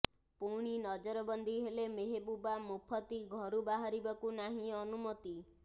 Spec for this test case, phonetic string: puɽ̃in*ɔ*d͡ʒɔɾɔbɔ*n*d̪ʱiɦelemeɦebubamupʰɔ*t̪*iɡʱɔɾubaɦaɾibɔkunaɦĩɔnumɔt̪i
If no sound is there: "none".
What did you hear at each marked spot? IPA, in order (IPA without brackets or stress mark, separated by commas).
ɔ, n, t̪